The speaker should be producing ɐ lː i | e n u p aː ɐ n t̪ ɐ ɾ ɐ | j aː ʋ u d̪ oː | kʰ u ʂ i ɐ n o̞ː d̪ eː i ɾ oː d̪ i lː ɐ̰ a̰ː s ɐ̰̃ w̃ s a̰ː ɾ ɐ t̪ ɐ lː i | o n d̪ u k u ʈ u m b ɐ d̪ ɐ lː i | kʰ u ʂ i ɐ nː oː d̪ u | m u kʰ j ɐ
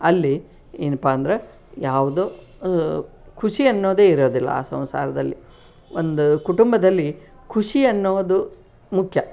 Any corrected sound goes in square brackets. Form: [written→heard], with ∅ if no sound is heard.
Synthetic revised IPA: ɐ lː i | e n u p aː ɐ n [t̪→d̪] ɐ ɾ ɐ | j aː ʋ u d̪ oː | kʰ u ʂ i ɐ [n→nː] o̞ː d̪ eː i ɾ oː d̪ i lː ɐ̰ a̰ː s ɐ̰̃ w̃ s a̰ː ɾ ɐ [t̪→d̪] ɐ lː i | o n d̪ u k u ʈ u m b ɐ d̪ ɐ lː i | kʰ u ʂ i ɐ nː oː d̪ u | m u kʰ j ɐ